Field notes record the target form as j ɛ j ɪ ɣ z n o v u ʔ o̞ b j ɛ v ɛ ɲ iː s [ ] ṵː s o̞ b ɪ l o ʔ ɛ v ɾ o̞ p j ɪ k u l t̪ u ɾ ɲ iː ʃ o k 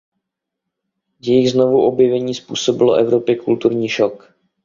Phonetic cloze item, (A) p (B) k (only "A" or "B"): A